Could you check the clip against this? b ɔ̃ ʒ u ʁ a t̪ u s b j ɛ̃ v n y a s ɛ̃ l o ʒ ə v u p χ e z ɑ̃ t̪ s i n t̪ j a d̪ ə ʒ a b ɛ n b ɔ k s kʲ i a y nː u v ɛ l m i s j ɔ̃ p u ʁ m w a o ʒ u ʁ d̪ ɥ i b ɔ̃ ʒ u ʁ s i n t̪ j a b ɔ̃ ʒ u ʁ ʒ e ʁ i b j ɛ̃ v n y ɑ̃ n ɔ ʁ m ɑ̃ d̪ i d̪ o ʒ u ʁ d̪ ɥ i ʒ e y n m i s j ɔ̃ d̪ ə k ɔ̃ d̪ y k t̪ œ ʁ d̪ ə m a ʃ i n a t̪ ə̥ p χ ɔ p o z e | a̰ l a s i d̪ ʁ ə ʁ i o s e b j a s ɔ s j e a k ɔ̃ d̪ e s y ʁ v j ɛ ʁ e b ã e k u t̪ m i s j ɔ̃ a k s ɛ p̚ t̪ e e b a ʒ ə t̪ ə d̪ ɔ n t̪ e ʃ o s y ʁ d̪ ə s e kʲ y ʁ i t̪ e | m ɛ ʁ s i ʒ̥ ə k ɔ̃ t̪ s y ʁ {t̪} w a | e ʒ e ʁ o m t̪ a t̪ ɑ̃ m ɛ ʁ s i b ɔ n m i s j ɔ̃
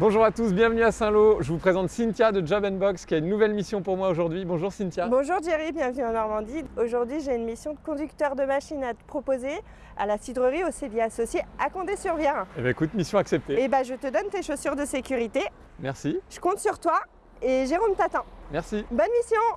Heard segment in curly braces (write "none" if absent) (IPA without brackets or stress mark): t̪